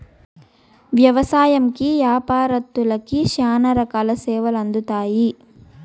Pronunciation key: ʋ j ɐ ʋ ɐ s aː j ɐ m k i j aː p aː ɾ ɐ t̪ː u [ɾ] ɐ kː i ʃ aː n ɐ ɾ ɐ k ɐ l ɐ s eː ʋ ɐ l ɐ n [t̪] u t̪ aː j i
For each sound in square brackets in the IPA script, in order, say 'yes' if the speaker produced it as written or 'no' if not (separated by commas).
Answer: no, no